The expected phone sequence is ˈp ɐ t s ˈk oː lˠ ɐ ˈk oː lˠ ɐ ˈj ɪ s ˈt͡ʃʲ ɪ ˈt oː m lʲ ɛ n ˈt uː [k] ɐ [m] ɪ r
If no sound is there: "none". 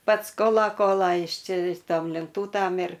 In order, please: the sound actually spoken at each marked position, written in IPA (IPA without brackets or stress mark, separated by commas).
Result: t, m